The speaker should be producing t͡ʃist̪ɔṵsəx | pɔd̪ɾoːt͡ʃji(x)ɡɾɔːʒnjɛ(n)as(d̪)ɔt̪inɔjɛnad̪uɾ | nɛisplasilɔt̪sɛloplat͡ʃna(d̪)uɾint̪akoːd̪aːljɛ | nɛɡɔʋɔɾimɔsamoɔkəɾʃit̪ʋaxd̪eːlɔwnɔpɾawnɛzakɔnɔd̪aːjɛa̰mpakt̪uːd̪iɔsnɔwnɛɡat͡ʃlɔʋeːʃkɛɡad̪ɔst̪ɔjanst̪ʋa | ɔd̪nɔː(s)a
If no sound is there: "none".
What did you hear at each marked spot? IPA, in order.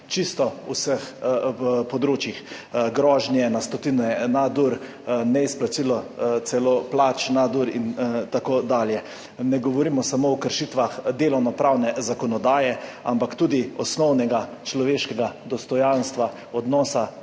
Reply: x, n, t̪, d̪, s

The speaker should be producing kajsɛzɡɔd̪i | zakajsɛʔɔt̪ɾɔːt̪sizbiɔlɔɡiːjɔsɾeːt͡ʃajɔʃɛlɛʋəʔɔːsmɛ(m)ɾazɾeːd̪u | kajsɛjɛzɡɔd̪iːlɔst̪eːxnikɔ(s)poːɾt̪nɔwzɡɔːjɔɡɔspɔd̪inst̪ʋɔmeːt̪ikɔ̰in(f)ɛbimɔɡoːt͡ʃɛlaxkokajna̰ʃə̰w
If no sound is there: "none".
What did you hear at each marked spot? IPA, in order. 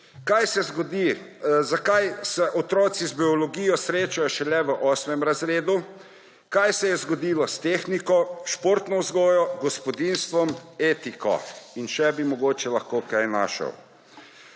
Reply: m, ʃ, ʃ

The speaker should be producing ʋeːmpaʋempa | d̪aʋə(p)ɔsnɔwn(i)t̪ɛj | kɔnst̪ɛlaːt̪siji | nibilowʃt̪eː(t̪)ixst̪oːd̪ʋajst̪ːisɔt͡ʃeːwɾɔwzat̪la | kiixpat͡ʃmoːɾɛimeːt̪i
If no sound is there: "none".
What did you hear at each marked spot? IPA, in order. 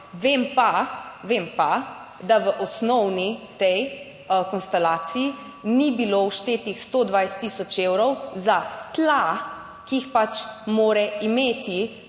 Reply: ʔ, i, t̪

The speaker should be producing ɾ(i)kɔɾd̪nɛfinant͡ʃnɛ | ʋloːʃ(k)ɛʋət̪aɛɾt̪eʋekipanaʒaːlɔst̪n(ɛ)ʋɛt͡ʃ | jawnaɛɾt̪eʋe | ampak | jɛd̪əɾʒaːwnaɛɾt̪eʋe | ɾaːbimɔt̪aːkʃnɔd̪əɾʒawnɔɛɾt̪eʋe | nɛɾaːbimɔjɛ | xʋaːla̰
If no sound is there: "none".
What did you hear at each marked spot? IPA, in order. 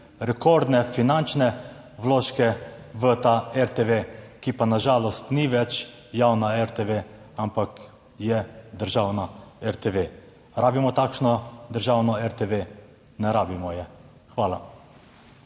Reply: ɛ, k, i

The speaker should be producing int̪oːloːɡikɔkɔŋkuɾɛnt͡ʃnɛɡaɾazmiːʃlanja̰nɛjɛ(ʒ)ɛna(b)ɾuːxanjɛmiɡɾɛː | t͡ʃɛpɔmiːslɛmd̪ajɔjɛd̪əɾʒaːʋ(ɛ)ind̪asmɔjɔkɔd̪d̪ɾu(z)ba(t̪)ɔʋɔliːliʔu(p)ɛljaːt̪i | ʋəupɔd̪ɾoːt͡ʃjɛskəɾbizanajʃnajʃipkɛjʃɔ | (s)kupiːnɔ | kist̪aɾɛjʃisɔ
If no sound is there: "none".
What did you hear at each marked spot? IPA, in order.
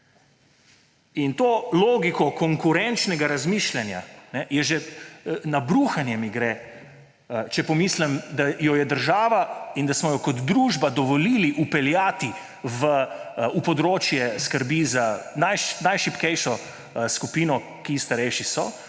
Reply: ʒ, b, a, ʒ, d̪, p, s

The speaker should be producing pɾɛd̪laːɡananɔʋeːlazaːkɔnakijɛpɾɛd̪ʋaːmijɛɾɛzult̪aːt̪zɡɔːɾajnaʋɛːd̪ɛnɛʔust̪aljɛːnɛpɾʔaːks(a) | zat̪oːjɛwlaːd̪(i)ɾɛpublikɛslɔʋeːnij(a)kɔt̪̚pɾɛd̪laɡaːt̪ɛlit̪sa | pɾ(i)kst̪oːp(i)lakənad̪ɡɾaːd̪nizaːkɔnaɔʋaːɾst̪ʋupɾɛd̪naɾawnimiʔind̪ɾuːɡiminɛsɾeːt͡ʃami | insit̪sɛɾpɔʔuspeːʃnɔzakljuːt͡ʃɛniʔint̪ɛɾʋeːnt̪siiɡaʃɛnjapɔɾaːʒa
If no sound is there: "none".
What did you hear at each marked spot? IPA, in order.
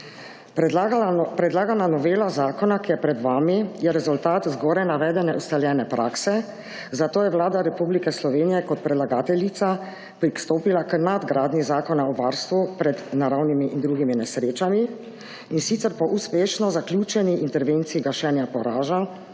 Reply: ɛ, a, ɛ, i, i

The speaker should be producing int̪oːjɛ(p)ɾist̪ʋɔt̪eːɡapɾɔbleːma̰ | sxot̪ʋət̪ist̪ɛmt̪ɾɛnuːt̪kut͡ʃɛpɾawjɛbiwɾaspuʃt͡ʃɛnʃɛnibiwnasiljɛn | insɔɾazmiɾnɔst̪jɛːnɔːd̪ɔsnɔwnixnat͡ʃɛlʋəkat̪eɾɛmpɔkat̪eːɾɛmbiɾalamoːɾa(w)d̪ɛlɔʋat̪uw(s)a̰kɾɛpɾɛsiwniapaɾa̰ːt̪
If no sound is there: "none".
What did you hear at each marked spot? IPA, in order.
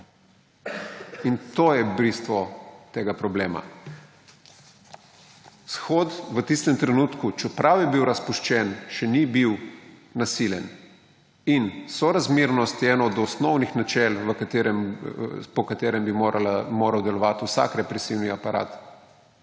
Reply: b, w, s

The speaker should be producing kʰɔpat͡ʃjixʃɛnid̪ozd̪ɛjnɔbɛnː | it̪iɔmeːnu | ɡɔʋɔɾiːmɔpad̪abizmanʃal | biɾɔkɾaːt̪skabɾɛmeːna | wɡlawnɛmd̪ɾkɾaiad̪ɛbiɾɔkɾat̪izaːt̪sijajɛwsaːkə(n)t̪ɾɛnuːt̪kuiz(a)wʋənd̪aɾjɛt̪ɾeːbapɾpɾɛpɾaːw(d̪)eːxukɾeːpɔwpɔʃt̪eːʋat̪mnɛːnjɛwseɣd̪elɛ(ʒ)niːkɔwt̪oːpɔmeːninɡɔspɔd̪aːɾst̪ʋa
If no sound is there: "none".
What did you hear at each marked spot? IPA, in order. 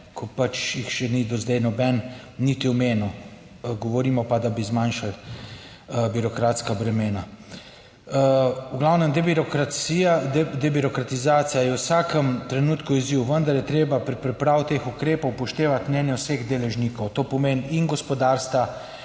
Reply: m, i, t̪, ʒ

